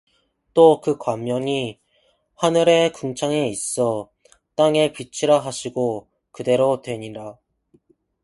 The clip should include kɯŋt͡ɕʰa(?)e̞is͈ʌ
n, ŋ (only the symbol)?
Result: ŋ